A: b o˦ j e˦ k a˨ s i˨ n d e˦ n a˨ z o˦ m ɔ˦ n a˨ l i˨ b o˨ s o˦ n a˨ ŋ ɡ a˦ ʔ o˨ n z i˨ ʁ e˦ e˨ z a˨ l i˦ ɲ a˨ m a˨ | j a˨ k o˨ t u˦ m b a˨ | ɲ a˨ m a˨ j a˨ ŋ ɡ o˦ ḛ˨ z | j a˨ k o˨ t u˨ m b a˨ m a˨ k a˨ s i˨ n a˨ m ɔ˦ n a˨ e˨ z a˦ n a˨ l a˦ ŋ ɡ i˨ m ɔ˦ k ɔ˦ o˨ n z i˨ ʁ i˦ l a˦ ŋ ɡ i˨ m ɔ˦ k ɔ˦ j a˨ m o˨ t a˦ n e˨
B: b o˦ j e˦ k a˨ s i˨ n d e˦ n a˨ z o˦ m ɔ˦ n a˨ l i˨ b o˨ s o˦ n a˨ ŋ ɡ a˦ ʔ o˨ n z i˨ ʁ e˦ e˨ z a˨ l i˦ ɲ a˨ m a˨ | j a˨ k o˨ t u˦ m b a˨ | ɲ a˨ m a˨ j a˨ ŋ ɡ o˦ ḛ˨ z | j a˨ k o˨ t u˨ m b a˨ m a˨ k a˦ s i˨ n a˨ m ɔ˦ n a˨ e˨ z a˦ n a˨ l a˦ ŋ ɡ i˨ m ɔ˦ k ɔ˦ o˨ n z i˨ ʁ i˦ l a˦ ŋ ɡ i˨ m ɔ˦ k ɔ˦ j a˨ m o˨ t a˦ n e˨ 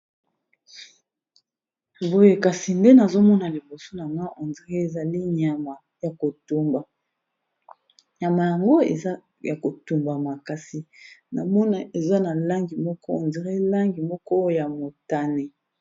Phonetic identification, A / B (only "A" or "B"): A